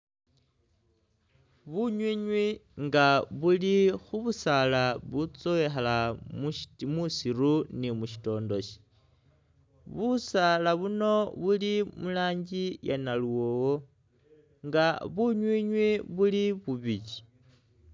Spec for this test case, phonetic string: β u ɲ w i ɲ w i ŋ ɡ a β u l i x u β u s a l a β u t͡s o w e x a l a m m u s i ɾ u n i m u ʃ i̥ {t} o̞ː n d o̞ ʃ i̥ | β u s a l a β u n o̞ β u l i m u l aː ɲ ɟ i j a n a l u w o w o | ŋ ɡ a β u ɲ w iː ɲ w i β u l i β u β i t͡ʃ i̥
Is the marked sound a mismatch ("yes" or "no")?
no